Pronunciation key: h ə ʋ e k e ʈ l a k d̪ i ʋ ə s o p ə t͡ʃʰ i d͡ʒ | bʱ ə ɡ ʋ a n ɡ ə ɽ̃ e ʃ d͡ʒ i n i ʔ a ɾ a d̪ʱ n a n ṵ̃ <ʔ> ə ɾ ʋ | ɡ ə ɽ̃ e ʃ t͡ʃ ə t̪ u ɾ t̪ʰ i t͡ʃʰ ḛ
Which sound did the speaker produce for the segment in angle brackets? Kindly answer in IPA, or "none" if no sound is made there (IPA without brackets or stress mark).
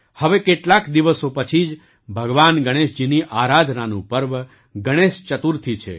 p